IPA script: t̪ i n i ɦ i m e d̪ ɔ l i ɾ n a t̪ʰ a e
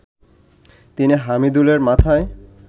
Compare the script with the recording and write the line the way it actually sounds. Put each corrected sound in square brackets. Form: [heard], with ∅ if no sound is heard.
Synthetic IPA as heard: t̪ i n i ɦ [a] m [i] d̪ [u] l [e] ɾ [m] a t̪ʰ a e

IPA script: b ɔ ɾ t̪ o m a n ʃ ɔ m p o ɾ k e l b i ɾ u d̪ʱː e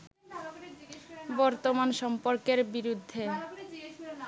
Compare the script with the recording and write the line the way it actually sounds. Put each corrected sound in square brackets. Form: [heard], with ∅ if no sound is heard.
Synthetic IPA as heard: b ɔ ɾ t̪ o m a n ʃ ɔ m p o ɾ k e [ɾ] b i ɾ u d̪ʱː e

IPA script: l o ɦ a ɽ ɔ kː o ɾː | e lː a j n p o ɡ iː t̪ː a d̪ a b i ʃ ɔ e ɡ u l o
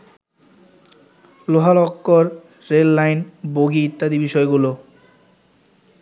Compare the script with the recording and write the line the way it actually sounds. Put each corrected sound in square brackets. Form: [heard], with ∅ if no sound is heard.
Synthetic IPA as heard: l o ɦ a [l] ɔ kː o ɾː | e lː a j n [b] o ɡ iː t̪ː a d̪ [i] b i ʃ ɔ e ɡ u l o

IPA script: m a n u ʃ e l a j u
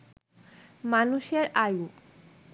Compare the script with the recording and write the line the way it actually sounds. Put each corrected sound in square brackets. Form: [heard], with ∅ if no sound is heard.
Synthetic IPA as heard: m a n u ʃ e [ɾ] a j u

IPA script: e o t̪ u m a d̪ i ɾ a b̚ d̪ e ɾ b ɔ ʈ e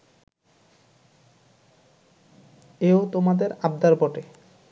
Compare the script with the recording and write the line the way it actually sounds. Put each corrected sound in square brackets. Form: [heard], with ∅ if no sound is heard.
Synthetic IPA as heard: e o t̪ [o] m a d̪ [e] ɾ a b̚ d̪ [a] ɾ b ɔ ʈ e

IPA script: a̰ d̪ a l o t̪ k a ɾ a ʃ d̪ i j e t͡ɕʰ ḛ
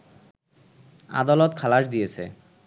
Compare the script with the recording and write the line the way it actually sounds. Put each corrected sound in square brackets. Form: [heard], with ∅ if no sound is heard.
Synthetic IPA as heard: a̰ d̪ a l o t̪ [kʰ] a [l] a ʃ d̪ i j e t͡ɕʰ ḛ

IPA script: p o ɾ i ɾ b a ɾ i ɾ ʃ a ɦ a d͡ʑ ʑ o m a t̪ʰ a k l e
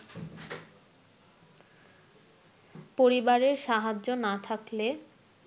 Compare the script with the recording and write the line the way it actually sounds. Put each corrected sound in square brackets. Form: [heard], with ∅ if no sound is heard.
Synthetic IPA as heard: p o ɾ i [∅] b a ɾ [e] ɾ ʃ a ɦ a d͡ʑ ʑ o [n] a t̪ʰ a k l e

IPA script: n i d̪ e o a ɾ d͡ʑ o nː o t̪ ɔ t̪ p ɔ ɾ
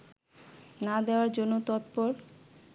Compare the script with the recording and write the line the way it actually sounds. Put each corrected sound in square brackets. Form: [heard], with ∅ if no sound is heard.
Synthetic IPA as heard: n [a] d̪ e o a ɾ d͡ʑ o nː o t̪ ɔ t̪ p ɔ ɾ

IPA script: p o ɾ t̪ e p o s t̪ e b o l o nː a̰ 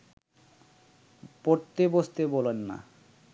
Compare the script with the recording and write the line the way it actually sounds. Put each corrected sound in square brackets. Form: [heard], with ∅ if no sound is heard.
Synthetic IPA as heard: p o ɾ t̪ e [b] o s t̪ e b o l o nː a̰

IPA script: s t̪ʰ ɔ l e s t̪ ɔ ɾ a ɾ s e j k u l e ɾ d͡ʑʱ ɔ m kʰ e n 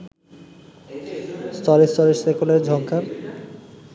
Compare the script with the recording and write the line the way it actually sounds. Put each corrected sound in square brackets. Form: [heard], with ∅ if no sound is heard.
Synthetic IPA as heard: s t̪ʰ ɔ [ɾ] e s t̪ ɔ ɾ [e] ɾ s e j k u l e ɾ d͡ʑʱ ɔ [ŋ] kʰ [a] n

